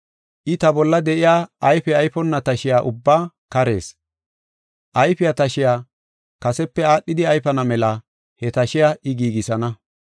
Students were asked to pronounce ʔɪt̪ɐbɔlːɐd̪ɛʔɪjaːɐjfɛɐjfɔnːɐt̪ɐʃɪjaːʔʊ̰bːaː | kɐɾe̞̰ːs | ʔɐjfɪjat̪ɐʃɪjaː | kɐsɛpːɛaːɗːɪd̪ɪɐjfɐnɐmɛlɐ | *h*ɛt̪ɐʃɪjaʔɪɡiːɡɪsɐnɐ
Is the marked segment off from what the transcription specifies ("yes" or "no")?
no